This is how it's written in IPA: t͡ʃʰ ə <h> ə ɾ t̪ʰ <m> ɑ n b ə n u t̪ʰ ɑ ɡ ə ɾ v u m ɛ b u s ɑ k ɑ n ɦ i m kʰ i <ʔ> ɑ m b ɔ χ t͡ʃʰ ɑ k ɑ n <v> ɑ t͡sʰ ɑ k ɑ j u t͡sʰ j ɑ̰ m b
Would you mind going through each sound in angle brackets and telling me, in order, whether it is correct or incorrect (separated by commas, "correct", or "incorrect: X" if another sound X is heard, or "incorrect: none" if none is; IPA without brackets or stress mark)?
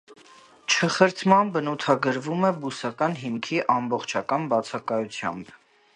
incorrect: χ, correct, correct, incorrect: b